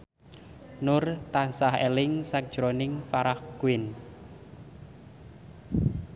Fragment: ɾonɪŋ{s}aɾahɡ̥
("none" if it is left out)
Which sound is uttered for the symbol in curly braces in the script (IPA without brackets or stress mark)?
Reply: f